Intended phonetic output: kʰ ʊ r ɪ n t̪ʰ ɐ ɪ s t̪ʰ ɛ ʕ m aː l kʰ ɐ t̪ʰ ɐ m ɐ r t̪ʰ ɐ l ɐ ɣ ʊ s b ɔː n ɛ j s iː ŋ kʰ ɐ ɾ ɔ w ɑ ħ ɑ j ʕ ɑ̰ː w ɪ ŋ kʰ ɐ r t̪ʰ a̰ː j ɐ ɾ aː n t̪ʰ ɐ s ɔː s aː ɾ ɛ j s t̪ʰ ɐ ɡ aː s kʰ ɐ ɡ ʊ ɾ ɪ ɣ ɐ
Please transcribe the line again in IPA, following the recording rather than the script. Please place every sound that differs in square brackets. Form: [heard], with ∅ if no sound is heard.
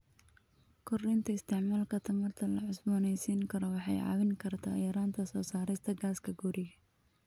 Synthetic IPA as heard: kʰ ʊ r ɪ n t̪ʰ ɐ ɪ s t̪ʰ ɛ ʕ m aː l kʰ ɐ t̪ʰ ɐ m ɐ r t̪ʰ ɐ l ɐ [ʕ] ʊ s b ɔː n ɛ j s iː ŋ kʰ ɐ ɾ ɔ w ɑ ħ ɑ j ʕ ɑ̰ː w ɪ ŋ kʰ ɐ r t̪ʰ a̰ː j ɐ ɾ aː n t̪ʰ ɐ s ɔː s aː ɾ ɛ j s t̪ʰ ɐ ɡ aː s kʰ ɐ ɡ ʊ ɾ ɪ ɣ ɐ